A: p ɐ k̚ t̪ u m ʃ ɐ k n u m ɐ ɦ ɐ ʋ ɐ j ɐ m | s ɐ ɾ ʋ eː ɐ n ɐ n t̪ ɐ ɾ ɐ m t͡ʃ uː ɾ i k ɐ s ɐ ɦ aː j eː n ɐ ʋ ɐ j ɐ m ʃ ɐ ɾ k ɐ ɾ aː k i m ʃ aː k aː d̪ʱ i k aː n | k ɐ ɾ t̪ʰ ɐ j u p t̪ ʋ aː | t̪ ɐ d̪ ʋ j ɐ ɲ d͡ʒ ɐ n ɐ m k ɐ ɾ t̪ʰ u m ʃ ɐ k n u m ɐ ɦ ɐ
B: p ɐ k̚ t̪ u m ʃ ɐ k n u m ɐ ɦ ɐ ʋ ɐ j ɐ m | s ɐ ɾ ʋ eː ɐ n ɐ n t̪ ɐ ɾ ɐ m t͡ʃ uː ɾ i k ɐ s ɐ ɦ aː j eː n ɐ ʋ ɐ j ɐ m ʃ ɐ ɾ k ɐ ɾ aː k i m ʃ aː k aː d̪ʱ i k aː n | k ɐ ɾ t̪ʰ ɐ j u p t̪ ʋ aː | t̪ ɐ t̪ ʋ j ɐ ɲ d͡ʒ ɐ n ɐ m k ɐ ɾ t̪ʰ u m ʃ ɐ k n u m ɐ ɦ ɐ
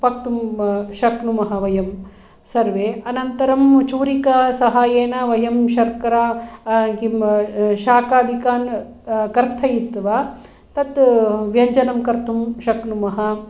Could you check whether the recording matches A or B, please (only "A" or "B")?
B